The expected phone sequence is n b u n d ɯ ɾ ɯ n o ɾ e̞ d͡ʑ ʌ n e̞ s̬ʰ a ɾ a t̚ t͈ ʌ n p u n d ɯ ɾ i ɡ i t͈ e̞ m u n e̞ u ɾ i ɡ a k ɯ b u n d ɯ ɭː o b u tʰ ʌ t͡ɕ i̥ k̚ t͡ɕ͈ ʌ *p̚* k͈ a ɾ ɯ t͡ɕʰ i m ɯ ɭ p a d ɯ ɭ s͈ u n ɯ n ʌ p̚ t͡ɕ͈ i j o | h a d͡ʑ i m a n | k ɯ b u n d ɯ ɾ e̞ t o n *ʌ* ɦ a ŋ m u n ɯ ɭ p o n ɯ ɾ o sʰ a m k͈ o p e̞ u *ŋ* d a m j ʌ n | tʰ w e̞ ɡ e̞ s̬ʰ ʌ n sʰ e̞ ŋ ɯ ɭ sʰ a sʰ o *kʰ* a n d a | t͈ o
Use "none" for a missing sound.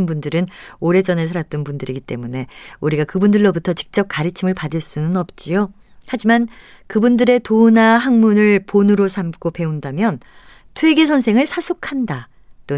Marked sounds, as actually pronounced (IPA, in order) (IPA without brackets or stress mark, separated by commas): p̚, a, n, kʰ